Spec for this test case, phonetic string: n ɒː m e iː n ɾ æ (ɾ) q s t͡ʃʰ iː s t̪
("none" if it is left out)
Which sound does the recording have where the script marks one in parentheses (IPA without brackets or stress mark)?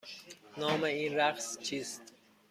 none